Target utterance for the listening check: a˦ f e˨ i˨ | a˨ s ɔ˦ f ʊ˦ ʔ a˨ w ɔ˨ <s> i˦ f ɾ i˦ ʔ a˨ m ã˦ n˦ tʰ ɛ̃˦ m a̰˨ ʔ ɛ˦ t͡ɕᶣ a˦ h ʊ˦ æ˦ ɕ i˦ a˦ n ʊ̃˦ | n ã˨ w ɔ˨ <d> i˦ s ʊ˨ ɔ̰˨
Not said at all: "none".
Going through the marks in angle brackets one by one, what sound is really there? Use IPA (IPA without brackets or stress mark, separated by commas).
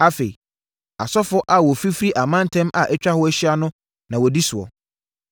f, d